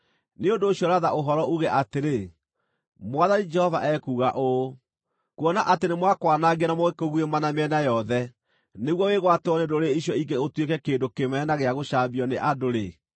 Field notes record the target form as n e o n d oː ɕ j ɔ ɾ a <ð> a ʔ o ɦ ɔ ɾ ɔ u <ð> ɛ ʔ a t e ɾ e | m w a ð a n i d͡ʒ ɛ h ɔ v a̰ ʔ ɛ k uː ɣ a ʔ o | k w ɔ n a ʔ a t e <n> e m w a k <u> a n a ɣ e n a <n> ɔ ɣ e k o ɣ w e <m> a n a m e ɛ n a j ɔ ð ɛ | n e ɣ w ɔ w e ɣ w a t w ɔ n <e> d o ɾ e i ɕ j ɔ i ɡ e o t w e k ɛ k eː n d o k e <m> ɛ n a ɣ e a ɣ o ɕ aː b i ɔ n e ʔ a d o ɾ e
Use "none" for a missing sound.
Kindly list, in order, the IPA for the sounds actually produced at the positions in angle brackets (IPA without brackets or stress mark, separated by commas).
ð, ɣ, n, w, m, m, e, m